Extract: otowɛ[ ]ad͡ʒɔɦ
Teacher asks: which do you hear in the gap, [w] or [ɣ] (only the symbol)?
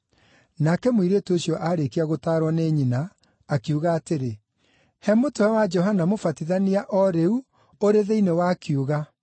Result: w